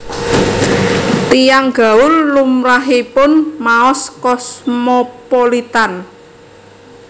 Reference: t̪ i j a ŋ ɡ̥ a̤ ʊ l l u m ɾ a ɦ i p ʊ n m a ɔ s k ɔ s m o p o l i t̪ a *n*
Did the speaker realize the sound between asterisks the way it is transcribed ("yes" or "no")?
yes